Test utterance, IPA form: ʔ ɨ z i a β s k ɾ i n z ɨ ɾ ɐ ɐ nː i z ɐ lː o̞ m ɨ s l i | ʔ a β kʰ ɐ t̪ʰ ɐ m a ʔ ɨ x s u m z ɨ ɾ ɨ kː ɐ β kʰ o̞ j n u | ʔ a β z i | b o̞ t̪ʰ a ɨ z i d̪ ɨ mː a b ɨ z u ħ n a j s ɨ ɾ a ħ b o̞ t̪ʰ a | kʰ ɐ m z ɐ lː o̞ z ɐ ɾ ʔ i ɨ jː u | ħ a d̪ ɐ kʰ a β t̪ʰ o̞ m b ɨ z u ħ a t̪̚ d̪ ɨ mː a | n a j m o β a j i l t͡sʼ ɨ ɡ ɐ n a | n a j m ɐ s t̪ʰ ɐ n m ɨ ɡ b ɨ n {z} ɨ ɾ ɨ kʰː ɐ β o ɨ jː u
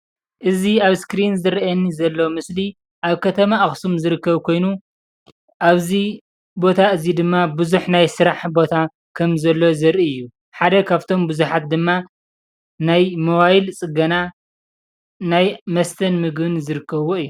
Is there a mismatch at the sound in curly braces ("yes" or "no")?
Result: no